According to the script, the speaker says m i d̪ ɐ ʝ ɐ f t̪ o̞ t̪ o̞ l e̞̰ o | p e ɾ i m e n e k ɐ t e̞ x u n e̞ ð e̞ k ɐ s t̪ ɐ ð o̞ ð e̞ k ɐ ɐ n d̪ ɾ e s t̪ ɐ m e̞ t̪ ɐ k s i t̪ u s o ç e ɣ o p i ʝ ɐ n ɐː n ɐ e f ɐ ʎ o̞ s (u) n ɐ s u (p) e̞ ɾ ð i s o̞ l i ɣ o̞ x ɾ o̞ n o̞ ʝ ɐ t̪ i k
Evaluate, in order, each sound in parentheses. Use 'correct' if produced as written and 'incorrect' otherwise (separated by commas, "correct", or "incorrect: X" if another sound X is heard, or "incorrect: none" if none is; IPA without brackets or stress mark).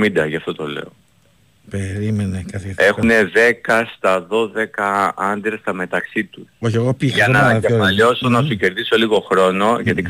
incorrect: o, incorrect: c